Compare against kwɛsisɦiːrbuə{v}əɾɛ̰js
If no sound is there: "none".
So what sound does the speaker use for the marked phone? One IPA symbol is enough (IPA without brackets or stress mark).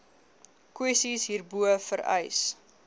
f